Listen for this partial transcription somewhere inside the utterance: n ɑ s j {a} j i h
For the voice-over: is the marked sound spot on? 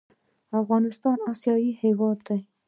no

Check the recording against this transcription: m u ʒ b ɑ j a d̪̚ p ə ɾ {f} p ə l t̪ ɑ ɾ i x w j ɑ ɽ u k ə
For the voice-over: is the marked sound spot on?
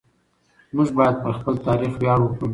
no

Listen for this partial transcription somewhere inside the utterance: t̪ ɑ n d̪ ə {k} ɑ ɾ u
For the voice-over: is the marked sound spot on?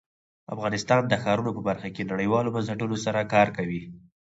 no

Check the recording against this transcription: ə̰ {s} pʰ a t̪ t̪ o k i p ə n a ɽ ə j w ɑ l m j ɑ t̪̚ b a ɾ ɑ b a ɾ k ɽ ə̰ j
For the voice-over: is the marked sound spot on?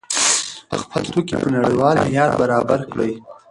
no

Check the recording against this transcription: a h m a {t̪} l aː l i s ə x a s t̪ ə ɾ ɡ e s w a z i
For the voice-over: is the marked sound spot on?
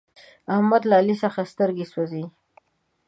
no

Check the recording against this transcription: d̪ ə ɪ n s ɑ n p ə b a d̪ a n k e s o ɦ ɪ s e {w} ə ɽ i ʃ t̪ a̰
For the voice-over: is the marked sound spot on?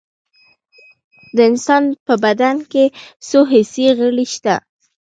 no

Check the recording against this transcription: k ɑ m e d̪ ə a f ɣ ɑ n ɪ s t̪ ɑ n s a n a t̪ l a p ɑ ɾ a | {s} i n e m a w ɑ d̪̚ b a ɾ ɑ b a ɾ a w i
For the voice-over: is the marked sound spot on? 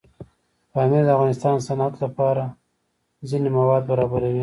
no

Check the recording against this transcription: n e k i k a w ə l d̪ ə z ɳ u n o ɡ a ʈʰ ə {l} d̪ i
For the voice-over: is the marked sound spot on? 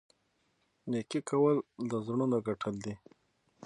yes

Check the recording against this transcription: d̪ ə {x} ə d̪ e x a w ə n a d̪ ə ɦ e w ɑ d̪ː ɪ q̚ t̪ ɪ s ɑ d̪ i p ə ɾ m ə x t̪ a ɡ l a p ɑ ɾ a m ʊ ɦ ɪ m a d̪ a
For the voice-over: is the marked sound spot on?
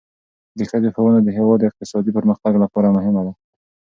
yes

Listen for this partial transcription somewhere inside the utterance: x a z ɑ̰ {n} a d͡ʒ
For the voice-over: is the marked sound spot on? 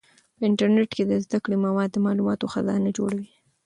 yes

